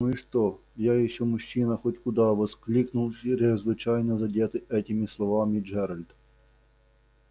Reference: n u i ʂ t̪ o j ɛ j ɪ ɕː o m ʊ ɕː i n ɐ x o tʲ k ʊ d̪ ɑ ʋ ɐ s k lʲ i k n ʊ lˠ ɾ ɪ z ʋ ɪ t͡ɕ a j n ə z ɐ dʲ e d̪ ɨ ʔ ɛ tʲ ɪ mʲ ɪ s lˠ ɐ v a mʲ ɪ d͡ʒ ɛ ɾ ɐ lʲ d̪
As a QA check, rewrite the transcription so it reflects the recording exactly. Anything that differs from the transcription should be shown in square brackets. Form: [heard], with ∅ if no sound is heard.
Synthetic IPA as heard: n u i ʂ t̪ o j [a] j ɪ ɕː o m ʊ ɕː i n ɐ x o tʲ k ʊ d̪ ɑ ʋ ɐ s k lʲ i k n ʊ lˠ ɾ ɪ z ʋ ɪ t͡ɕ a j n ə z ɐ dʲ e [t̪] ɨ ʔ ɛ tʲ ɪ mʲ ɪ s lˠ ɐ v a mʲ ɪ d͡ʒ ɛ ɾ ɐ lʲ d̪